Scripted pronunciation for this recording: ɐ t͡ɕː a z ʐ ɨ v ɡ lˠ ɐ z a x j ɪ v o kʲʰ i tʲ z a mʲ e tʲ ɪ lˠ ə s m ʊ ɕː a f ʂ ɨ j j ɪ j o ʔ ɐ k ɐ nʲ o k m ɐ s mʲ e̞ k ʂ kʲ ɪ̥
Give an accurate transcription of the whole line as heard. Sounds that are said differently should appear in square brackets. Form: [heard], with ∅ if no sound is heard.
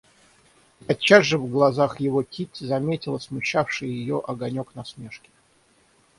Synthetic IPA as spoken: ɐ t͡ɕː a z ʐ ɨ v ɡ lˠ ɐ z a x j ɪ v o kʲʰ i tʲ z [ɐ] mʲ e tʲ ɪ lˠ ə s m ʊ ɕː a f ʂ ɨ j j ɪ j o ʔ ɐ [ɡ] ɐ nʲ o k [n] ɐ s mʲ e̞ [∅] ʂ kʲ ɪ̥